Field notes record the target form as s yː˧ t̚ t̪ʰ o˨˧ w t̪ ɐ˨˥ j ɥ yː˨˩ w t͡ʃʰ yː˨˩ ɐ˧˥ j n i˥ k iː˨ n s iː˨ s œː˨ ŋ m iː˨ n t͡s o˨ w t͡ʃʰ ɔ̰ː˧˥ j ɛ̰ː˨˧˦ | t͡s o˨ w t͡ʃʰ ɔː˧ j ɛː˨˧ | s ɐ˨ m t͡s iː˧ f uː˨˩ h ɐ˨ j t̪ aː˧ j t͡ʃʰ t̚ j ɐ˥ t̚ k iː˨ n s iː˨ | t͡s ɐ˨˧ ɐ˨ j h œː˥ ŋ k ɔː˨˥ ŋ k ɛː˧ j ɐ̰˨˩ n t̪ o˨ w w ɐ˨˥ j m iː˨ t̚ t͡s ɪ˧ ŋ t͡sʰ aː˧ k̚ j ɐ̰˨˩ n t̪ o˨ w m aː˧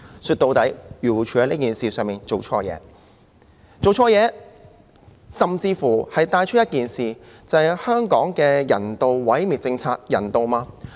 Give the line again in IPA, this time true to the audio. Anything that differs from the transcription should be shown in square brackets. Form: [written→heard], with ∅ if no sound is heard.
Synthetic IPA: s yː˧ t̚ [t̪ʰ→t̪] o˨˧ w t̪ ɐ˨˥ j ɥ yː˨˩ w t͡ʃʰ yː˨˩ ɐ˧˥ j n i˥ k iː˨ n s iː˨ s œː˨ ŋ m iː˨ n t͡s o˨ w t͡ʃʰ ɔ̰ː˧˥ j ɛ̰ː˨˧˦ | t͡s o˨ w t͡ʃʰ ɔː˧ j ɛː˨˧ | s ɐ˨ m t͡s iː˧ f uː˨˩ h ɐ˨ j t̪ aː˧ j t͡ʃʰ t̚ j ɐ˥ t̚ k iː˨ n s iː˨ | t͡s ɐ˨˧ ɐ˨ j h œː˥ ŋ k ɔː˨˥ ŋ k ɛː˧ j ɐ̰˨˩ n t̪ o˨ w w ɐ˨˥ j m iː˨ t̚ t͡s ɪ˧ ŋ t͡sʰ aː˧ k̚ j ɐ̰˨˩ n t̪ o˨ w m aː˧